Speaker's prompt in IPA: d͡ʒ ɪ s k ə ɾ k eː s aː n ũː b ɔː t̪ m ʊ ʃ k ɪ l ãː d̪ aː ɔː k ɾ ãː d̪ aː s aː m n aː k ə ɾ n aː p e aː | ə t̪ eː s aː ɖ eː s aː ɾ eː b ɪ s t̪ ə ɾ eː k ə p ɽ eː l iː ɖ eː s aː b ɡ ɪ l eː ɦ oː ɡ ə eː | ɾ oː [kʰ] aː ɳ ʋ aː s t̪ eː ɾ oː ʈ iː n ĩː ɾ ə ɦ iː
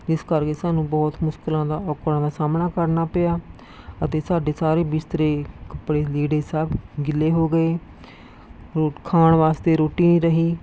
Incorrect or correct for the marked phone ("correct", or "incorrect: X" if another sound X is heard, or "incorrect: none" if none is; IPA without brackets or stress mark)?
correct